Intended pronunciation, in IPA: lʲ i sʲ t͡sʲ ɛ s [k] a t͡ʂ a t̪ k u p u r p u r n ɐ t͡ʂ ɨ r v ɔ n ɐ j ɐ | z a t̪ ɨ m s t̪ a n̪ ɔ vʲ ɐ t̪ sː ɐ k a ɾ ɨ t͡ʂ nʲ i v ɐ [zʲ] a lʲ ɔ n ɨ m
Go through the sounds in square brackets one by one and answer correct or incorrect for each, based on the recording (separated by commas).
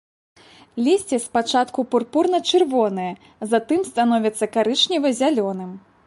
incorrect, correct